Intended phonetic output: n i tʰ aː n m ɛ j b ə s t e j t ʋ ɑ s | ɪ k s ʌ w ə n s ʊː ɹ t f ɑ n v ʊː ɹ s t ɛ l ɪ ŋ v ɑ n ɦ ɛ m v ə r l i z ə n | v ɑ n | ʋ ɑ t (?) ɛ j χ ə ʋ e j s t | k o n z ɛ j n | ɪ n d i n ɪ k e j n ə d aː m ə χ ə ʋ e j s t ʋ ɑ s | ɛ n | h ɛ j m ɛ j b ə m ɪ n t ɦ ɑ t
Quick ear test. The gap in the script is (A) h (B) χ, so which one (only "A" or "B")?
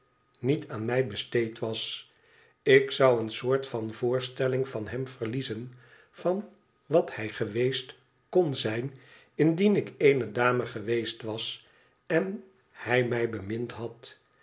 A